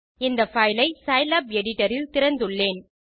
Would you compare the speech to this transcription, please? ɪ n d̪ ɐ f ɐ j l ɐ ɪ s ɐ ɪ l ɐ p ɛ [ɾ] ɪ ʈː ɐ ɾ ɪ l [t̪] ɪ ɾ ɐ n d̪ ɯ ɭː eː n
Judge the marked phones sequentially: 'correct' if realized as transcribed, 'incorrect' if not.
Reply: incorrect: ɽ, correct

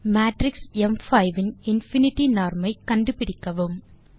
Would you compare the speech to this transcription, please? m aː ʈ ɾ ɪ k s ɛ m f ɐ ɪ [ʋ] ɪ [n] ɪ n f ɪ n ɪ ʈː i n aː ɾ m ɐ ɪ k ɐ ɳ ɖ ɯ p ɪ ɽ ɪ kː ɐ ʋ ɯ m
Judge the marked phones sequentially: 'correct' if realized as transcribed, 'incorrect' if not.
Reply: correct, correct

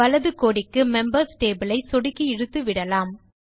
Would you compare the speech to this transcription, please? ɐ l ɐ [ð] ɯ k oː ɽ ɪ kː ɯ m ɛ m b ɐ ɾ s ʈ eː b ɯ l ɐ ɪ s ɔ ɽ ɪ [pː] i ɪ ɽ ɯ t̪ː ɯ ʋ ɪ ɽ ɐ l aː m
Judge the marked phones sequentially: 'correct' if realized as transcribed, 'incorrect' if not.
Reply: correct, incorrect: kː

